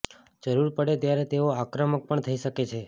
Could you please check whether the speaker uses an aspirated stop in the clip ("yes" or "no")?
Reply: yes